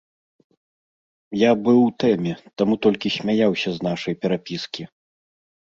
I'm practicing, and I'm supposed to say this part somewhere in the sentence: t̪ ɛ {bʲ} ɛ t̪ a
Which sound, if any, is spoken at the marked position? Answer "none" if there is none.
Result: mʲ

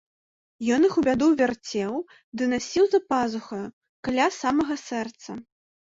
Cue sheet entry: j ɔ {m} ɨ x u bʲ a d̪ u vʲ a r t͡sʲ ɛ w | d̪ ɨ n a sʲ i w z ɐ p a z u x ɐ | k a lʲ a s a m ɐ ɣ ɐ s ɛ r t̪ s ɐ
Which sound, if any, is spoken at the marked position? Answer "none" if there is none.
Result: n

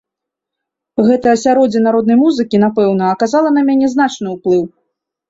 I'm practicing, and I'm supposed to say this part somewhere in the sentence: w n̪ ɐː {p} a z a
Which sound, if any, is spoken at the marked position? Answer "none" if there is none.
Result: k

